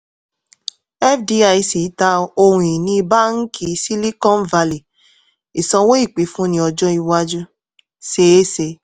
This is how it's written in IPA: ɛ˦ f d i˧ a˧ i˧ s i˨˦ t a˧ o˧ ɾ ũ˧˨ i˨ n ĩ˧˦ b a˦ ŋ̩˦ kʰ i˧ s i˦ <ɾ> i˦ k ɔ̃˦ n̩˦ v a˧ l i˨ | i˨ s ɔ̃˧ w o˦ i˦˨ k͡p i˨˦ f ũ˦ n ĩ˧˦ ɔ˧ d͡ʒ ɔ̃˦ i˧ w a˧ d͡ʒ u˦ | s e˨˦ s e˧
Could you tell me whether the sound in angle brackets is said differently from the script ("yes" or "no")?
yes